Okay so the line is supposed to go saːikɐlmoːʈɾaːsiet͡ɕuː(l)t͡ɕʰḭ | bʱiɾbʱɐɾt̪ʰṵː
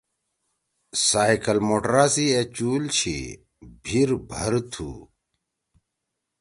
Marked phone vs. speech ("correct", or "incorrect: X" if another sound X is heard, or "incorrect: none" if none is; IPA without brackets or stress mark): correct